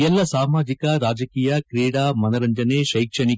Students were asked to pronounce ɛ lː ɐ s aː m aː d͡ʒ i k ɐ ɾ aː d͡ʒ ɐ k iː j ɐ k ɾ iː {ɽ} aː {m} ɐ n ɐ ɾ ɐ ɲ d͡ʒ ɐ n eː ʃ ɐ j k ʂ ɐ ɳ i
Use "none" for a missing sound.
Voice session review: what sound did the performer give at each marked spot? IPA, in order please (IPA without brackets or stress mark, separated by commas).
ɽ, m